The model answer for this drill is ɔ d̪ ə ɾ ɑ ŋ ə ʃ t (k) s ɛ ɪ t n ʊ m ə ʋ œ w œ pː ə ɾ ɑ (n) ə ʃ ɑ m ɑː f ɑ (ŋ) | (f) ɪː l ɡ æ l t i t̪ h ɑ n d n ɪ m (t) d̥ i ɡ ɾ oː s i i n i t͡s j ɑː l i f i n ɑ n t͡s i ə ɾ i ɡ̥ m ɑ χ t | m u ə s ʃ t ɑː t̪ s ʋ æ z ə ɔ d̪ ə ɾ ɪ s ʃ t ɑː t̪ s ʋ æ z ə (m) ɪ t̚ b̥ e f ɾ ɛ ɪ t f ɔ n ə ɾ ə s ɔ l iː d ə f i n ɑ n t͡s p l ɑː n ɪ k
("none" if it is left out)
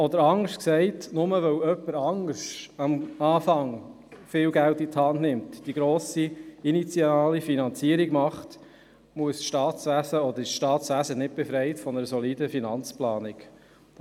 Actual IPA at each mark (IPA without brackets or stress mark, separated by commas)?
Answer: k, ŋ, ŋ, f, t, n